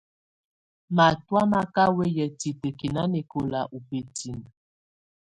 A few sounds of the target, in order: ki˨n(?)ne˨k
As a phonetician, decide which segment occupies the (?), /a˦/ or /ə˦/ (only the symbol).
a˦